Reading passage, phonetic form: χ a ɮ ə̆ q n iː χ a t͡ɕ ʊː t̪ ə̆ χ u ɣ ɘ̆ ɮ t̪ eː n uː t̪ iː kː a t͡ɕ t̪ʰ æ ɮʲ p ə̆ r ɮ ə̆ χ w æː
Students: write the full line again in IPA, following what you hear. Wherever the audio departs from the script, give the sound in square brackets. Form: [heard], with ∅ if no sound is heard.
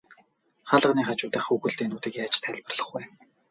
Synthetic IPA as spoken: χ a ɮ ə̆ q n iː χ a t͡ɕ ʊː t̪ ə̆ χ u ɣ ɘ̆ ɮ t̪ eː n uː t̪ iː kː a t͡ɕ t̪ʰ æ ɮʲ p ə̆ r ɮ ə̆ χ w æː